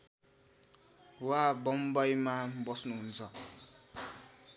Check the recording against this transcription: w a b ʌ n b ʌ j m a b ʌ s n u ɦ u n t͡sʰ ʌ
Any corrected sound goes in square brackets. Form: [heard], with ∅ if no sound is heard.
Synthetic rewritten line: w a b ʌ [m] b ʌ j m a b ʌ s n u ɦ u n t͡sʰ ʌ